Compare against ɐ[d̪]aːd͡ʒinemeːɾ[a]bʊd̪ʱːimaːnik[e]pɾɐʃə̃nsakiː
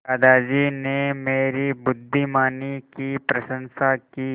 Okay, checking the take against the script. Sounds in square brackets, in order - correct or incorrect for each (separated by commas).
correct, incorrect, incorrect